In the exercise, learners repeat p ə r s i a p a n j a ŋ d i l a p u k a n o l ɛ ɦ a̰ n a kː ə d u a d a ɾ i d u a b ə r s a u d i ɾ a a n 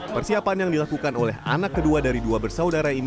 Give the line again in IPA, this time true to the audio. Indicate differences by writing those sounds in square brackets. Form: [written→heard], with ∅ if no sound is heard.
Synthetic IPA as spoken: p ə r s i a p a n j a ŋ d i l a [p→k] u k a n o l ɛ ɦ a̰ n a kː ə d u a d a ɾ i d u a b ə r s a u d [i→a] ɾ a [a→i] n